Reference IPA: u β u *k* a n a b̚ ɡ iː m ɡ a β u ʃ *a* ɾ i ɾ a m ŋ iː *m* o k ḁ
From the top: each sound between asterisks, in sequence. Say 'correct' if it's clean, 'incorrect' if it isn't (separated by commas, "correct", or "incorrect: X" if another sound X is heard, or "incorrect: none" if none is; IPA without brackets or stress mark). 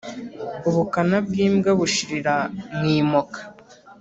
correct, incorrect: i, correct